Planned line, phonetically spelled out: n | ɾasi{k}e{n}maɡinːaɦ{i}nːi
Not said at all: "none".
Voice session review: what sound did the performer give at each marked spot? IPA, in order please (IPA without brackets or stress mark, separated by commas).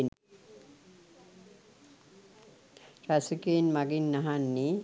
k, n, a